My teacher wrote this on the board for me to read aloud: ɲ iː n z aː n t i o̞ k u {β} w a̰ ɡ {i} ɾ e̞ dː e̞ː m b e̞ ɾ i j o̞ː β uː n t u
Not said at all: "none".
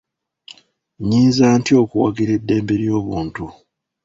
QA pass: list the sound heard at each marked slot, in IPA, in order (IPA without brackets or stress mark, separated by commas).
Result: none, i